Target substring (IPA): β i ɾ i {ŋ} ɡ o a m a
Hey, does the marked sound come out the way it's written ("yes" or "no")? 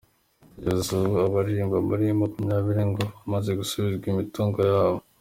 yes